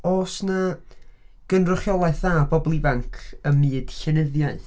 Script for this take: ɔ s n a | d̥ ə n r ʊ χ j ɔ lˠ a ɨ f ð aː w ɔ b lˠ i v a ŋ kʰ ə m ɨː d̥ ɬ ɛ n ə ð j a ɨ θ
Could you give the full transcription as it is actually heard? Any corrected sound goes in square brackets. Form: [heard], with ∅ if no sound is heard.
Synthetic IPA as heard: ɔ s n a | [ɡ̥] ə n r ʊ χ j ɔ lˠ a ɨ [θ] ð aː [b] ɔ b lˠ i v a ŋ kʰ ə m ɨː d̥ ɬ ɛ n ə ð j a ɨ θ